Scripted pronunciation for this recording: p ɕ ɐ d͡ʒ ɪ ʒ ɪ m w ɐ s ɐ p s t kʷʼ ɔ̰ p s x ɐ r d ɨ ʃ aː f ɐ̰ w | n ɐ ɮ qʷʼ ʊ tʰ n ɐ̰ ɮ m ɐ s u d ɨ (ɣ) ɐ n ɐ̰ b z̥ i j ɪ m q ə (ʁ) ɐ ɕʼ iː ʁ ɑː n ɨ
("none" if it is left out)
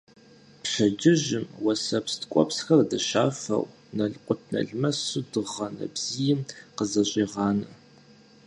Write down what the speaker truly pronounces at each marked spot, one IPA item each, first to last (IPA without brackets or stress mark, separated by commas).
ʁ, z